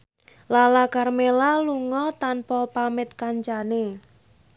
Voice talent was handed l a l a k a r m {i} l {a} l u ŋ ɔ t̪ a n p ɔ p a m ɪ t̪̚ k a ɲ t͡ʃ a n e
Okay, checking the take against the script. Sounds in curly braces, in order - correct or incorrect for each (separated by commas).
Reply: incorrect, correct